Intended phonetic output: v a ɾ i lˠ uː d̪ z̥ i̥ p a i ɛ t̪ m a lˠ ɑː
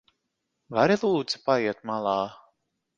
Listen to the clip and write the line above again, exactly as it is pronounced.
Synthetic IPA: v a ɾ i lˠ uː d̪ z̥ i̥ p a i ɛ t̪ m a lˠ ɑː

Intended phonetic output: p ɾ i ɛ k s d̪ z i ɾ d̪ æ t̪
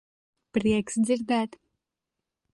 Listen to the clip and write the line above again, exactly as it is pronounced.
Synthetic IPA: p ɾ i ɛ k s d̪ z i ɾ d̪ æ t̪

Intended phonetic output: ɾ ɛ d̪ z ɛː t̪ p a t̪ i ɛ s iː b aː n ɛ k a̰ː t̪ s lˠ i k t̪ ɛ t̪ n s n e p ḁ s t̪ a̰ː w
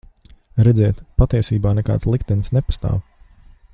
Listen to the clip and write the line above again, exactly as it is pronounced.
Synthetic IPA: ɾ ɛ d̪ z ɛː t̪ p a t̪ i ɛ s iː b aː n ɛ k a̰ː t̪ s lˠ i k t̪ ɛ n s n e p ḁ s t̪ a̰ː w

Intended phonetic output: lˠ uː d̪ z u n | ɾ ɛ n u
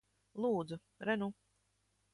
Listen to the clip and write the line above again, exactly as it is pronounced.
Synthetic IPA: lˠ uː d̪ z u | ɾ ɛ n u

